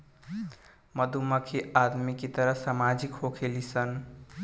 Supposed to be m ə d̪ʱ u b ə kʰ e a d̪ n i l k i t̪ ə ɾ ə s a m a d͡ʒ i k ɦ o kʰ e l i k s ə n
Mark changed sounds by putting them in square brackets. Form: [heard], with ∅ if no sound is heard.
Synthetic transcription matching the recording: m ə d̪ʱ u [m] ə kʰ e a d̪ [m] i [∅] k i t̪ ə ɾ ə s a m a d͡ʒ i k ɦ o kʰ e l i [∅] s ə n